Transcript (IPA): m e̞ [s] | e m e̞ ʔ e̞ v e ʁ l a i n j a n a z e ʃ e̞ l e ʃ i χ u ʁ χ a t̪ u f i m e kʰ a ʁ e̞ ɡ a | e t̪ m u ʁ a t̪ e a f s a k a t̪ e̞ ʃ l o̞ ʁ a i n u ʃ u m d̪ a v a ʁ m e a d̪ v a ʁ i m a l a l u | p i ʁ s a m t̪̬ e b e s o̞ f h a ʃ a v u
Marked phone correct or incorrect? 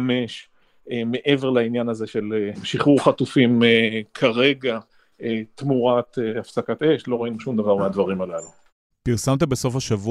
incorrect